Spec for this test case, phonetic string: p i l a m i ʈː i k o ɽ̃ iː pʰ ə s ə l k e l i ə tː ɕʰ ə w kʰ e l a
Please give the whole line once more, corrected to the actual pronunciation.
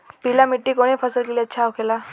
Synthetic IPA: p i l a m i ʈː i k o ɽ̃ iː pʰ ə s ə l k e l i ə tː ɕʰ a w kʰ e l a

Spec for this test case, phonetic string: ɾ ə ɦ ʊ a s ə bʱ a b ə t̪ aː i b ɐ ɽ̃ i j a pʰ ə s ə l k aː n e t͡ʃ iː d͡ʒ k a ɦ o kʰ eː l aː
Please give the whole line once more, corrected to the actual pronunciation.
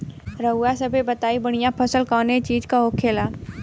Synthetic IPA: ɾ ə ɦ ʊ a s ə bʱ e b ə t̪ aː i b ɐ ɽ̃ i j a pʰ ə s ə l k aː n e t͡ʃ iː d͡ʒ k a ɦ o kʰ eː l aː

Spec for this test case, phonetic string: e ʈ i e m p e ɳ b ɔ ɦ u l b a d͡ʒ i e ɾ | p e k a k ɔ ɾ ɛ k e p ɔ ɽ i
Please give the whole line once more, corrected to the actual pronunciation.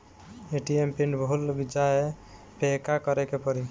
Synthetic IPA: e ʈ i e m p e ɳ b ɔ ɦ u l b i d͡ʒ a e | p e k a k ɔ ɾ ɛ k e p ɔ ɾ i

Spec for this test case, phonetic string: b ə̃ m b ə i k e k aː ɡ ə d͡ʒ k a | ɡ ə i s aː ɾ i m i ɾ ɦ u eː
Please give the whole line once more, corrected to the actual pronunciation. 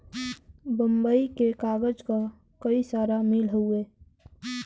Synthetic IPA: b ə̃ m b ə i k e k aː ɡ ə d͡ʒ k a | k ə i s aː ɾ a m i l ɦ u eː

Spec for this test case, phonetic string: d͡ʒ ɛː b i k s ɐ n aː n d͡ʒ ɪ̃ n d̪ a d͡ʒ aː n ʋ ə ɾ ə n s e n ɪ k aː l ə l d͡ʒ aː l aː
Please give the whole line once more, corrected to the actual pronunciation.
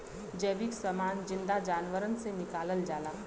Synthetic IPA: d͡ʒ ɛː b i k s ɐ m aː n d͡ʒ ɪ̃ n d̪ a d͡ʒ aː n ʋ ə ɾ ə n s e n ɪ k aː l ə l d͡ʒ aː l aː

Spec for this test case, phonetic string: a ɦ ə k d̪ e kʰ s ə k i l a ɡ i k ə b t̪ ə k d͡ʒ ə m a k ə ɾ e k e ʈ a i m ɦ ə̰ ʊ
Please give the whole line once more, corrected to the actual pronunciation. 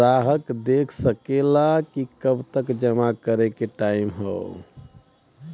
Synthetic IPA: a ɦ ə k d̪ e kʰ s ə k e l a k i k ə b t̪ ə k d͡ʒ ə m a k ə ɾ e k e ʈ a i m ɦ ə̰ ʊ

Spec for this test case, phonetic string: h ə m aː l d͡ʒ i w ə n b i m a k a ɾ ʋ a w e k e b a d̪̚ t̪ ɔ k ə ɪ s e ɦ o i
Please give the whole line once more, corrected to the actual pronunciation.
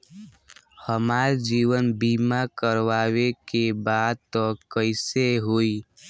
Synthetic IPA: h ə m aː ɾ d͡ʒ i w ə n b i m a k ə ɾ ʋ a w e k e b a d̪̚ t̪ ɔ k ə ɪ s e ɦ o i

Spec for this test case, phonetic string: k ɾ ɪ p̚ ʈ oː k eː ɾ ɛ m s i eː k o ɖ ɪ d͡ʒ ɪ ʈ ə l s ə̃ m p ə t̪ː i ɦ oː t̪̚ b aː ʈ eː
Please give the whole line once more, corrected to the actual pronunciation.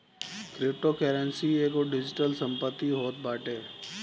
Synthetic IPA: k ɾ ɪ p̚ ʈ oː k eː ɾ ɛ n s i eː k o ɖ ɪ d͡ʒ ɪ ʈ ə l s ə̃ m p ə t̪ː i ɦ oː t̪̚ b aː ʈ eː

